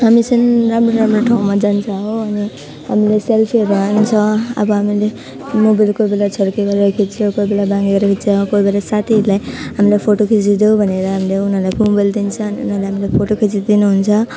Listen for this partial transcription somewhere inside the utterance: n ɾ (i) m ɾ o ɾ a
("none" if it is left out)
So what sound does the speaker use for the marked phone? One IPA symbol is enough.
a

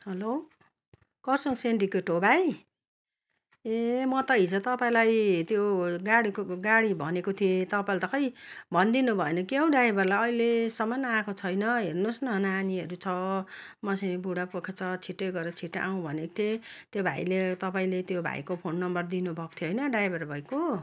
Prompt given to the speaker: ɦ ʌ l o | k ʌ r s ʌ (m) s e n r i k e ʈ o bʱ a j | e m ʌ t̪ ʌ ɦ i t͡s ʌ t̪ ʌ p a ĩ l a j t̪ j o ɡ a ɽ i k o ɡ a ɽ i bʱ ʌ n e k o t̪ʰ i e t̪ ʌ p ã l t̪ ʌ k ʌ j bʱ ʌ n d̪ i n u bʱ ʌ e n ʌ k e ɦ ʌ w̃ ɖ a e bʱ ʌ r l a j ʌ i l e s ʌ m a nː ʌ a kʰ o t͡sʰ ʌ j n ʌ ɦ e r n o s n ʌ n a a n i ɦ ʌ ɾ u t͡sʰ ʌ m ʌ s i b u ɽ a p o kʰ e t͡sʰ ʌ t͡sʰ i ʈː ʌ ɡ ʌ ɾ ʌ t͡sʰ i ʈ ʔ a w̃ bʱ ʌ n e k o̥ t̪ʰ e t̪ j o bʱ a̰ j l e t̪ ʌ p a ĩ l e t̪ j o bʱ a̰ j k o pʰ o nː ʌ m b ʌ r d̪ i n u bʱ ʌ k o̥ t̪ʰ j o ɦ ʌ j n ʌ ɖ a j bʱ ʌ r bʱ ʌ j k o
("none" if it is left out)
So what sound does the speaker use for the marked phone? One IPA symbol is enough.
ŋ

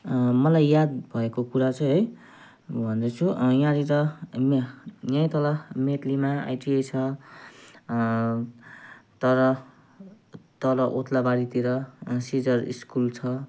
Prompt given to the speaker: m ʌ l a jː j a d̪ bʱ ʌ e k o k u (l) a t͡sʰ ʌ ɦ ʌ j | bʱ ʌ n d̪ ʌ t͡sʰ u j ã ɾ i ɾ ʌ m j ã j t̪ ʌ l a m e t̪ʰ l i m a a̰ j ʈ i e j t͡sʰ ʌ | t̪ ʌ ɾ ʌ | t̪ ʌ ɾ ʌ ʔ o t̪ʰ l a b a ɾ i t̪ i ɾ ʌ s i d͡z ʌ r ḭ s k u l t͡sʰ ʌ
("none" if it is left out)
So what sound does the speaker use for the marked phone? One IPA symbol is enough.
ɾ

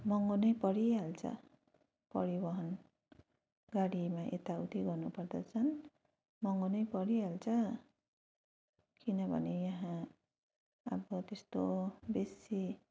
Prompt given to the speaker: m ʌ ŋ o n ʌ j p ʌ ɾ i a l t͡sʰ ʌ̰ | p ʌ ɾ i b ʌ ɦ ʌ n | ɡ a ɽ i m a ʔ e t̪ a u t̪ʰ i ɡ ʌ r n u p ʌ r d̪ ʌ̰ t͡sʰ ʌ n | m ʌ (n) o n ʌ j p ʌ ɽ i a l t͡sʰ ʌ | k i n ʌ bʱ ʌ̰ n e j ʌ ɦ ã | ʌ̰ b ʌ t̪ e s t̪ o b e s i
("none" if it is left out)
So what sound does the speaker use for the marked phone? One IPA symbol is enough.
ŋ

